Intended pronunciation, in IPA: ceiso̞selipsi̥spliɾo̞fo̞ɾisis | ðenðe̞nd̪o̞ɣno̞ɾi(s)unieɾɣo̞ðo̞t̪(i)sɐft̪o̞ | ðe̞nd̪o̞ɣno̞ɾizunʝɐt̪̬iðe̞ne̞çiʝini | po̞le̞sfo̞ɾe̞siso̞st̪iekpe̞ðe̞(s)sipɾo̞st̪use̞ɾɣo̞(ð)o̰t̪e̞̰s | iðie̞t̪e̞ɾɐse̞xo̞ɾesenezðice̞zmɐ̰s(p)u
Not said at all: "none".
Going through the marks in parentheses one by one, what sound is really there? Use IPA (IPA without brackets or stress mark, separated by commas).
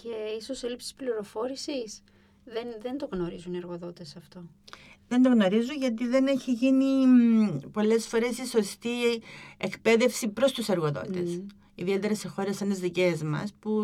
z, e, f, ð, p